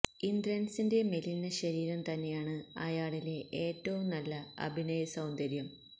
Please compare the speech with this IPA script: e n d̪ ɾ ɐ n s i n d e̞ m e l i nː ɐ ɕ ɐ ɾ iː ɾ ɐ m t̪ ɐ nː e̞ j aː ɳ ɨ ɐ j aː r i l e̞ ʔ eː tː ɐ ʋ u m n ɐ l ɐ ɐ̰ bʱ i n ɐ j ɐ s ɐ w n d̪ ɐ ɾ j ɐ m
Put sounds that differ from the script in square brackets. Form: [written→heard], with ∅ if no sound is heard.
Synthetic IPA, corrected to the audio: [e→i] n d̪ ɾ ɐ n s i n d e̞ m e l i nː ɐ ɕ ɐ ɾ iː ɾ ɐ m t̪ ɐ nː e̞ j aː ɳ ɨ ɐ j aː [r→ɭ] i l e̞ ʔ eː tː ɐ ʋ u m n ɐ [l→lː] ɐ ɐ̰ bʱ i n ɐ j ɐ s ɐ w n d̪ ɐ ɾ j ɐ m